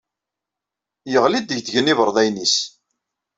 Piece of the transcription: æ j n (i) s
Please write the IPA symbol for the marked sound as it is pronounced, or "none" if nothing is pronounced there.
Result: i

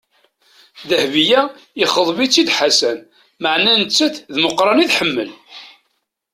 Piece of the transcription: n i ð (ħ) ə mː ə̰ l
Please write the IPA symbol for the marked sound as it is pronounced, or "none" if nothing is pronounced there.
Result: ħ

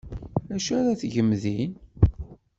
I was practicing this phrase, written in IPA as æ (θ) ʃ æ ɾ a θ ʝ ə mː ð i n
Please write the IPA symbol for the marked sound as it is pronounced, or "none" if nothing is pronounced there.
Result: none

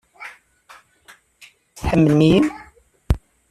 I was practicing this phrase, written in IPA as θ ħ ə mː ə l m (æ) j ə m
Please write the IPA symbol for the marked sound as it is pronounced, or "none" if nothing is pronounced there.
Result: i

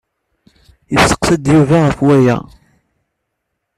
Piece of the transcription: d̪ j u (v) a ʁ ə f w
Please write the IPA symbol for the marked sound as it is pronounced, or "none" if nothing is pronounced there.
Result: v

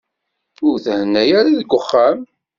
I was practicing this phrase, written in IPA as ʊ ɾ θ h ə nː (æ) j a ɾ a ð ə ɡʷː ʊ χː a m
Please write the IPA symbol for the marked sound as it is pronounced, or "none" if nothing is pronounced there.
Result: æ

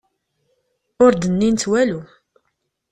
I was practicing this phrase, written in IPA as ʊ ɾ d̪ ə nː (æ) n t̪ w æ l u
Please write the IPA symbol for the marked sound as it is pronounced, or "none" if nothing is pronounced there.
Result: i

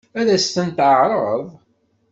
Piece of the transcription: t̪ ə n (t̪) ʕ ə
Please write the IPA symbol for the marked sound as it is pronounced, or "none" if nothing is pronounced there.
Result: t̪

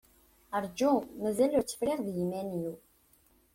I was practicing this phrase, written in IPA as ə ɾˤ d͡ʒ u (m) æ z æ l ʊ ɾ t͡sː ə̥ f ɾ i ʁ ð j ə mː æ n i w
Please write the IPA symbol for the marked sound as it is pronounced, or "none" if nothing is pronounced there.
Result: m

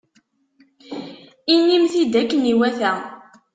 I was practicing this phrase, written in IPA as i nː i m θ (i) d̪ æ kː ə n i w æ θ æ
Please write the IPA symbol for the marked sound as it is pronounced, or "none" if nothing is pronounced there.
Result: i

